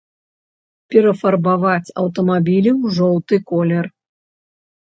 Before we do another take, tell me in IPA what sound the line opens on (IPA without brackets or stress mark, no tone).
pʲ